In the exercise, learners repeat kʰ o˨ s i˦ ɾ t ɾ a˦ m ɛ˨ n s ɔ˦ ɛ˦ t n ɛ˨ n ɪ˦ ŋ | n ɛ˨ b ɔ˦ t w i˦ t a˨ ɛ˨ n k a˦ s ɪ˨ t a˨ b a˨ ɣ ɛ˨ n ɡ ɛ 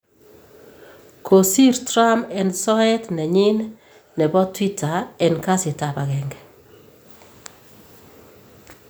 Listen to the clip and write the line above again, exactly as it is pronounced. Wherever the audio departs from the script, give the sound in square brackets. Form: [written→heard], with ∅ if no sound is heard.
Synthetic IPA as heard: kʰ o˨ s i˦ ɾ t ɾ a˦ m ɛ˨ n s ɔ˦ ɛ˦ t n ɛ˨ [n→ɲ] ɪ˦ [ŋ→n] | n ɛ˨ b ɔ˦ t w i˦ t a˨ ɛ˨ n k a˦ s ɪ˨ t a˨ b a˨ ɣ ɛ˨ [n→ŋ] ɡ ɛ